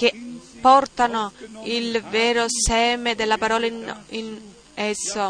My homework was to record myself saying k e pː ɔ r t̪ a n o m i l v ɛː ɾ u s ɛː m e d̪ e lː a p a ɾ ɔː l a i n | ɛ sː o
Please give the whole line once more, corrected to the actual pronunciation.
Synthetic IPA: k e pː ɔ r t̪ a n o i l v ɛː ɾ o s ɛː m e d̪ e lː a p a ɾ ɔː l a i n | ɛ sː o